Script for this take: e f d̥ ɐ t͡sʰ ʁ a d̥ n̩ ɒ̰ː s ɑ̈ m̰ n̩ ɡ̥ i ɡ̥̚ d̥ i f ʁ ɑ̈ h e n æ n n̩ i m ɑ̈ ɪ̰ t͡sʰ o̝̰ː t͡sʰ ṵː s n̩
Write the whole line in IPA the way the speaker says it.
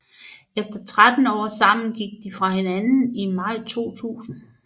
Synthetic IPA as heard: e f d̥ ɐ t͡sʰ ʁ a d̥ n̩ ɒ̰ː s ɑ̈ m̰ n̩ ɡ̥ i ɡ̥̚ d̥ i f ʁ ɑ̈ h e n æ n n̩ i m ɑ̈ ɪ̰ t͡sʰ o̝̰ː t͡sʰ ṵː s n̩

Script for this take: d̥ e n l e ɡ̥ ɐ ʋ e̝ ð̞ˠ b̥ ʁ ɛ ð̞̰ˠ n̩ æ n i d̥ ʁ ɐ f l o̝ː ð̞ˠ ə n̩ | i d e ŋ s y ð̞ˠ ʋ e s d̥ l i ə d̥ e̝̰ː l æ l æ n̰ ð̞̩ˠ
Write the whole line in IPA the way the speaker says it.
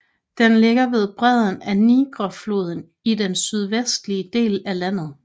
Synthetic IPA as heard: d̥ e n l e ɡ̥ ɐ ʋ e̝ ð̞ˠ b̥ ʁ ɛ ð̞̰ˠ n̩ æ n i ɡ̥ ʁ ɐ f l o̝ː ð̞ˠ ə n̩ | i d e n s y ð̞ˠ ʋ e s d̥ l i ə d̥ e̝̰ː l æ l æ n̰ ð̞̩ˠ

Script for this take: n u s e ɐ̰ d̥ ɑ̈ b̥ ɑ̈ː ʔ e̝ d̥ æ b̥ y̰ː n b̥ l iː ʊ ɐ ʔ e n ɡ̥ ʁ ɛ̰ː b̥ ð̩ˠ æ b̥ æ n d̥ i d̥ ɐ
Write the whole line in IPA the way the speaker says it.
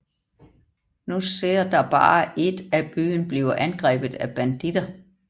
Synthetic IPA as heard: n u s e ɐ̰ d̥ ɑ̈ b̥ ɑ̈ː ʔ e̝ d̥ æ b̥ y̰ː n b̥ l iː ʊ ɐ ʔ æ n ɡ̥ ʁ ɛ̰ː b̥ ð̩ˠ æ b̥ æ n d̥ i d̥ ɐ

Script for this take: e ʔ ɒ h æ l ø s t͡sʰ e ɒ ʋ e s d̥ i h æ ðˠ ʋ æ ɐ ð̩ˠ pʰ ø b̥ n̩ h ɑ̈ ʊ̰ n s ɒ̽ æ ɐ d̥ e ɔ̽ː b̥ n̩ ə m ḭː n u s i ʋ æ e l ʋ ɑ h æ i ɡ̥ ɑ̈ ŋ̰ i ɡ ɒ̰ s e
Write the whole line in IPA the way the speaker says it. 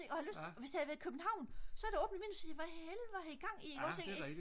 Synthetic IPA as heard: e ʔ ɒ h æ l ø s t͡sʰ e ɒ ʋ e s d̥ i h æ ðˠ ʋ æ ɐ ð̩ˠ kʰ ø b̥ n̩ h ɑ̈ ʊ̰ n s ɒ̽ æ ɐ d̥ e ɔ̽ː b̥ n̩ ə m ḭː n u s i ʋ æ e l ʋ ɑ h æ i ɡ̥ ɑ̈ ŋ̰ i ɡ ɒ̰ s e

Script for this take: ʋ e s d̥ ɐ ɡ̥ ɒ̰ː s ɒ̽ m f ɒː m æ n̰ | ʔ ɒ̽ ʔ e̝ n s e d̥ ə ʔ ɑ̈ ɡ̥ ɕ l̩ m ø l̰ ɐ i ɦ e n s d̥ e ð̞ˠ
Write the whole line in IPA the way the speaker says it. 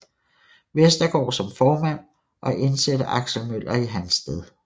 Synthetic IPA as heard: ʋ e s d̥ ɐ ɡ̥ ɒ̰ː s ɒ̽ m f ɒː m æ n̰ | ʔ ɒ̽ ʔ e̝ n s e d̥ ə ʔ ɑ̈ ɡ̥ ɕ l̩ m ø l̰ ɐ i ɦ æ n s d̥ e ð̞ˠ

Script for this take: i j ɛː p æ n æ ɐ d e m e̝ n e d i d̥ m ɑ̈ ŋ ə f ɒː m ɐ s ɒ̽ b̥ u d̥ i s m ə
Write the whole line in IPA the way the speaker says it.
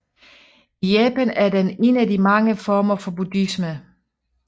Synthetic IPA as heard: i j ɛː p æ n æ ɐ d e n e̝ n æ d i m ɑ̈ ŋ ə f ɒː m ɐ f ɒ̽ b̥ u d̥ i s m ə

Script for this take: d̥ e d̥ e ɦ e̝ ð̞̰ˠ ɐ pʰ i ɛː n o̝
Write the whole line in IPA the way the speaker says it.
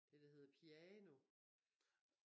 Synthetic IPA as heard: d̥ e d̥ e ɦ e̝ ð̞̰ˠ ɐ pʰ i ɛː n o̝

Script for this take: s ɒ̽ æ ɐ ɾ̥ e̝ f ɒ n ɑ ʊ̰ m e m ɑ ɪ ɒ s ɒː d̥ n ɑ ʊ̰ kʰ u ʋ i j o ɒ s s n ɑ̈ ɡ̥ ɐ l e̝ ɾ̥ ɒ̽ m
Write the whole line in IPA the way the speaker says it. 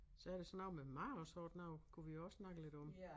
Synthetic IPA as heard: s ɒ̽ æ ɐ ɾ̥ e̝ s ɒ n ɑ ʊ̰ m e m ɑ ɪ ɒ s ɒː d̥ n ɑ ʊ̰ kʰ u ʋ i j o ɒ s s n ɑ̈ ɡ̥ ə l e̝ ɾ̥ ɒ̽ m

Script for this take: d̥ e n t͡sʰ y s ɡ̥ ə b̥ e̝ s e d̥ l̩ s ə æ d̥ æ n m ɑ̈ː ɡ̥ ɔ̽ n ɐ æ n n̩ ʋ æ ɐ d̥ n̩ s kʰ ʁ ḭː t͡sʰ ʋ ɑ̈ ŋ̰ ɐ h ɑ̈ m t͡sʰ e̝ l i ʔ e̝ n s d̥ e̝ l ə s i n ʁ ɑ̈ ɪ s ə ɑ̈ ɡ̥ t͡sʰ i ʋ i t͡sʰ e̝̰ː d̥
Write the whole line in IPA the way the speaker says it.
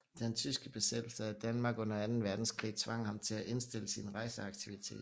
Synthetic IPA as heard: d̥ e n t͡sʰ y s ɡ̥ ə b̥ e̝ s e d̥ l̩ s ə æ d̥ æ n m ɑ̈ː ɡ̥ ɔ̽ n ɐ æ n n̩ ʋ æ ɐ d̥ n̩ s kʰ ʁ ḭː t͡sʰ ʋ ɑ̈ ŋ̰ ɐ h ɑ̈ m t͡sʰ e̝ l æ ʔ e̝ n s d̥ e̝ l ə s i n ʁ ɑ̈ ɪ s ə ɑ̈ ɡ̥ t͡sʰ i ʋ i t͡sʰ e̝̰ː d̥

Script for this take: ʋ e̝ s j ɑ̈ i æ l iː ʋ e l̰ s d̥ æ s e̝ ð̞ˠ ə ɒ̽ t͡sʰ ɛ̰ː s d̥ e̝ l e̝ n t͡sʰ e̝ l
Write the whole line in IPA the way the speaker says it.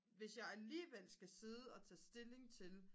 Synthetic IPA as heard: ʋ e̝ s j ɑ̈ ɪ æ l iː ʋ e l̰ s ɡ̥ æ s e̝ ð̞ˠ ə ɒ̽ t͡sʰ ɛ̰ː s d̥ e̝ l e̝ ŋ t͡sʰ e̝ l

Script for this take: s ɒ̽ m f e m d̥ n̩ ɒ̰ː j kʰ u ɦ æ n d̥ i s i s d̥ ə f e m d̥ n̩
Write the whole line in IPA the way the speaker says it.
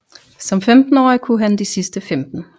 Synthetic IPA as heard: s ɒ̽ m f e m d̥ n̩ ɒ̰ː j kʰ u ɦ æ n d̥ i s i s d̥ ə f e m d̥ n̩

